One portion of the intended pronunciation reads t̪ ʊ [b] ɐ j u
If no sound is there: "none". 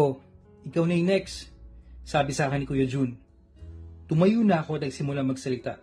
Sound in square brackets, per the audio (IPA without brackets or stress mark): m